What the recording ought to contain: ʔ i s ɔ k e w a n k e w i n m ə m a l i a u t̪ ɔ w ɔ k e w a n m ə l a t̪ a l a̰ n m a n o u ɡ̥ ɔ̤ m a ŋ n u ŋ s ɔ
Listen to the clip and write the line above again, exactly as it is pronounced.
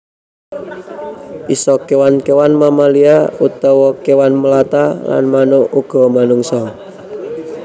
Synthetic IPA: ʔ i s ɔ k e w a n k e w a n m a m a l i a u t̪ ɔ w ɔ k e w a n m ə l a t̪ a l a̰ n m a n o u ɡ̥ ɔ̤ m a n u ŋ s ɔ